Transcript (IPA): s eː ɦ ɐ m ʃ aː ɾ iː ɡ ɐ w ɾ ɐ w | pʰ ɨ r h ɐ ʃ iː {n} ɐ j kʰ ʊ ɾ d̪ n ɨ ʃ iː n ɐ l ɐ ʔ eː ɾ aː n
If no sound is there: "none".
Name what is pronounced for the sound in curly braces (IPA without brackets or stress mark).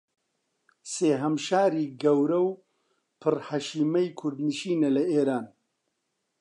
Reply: m